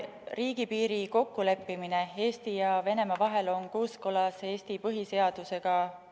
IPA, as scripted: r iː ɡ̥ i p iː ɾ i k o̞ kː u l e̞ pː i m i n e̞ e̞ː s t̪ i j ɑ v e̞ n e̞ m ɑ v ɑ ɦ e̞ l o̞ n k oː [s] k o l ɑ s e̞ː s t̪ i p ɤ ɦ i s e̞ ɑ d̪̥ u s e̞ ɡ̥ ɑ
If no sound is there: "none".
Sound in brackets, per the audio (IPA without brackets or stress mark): s